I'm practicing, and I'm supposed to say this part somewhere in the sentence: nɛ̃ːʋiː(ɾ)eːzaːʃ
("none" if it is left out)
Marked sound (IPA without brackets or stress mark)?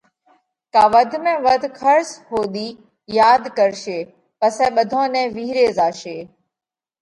ɾ